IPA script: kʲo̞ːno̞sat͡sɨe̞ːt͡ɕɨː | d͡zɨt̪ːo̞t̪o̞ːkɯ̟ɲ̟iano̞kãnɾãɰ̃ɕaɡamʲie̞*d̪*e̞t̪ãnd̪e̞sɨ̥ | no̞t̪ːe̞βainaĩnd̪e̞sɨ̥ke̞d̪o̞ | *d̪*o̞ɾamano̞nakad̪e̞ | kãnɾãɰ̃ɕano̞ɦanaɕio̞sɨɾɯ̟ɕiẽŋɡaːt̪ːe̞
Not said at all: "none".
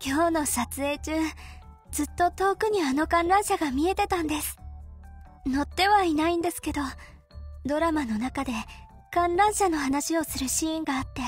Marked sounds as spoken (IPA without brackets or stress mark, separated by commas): t̪, d̪